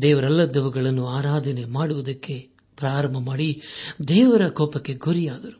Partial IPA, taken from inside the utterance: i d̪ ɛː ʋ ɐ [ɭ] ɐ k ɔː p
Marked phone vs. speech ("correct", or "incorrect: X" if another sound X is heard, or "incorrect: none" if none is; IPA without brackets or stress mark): incorrect: ɾ